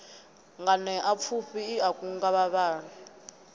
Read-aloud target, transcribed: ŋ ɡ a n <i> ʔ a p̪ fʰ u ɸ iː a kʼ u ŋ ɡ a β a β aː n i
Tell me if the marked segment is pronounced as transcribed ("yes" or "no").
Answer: no